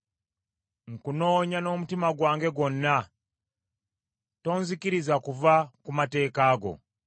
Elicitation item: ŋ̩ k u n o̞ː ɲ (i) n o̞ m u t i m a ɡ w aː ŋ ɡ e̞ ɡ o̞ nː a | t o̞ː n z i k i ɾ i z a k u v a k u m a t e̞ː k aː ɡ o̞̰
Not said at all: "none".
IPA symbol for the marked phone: a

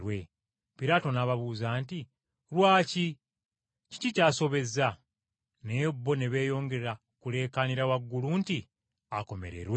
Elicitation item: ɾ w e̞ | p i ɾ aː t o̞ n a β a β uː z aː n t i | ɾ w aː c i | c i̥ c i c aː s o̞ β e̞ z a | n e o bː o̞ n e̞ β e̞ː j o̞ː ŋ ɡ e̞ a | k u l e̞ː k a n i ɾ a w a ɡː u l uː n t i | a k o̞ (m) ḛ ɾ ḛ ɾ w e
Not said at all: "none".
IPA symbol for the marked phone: m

